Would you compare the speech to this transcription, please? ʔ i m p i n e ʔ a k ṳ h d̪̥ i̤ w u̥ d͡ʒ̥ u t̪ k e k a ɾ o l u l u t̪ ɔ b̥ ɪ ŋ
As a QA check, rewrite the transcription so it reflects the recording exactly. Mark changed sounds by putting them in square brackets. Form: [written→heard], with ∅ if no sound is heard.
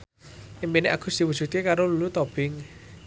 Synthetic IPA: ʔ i m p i n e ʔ a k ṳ [h→s] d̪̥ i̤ w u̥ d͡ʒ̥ u t̪ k e k a ɾ o l u l u t̪ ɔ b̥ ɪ ŋ